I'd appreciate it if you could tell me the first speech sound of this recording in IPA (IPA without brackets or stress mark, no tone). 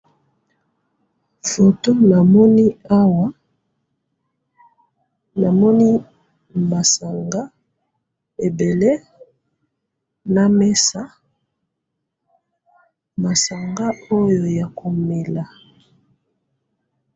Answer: f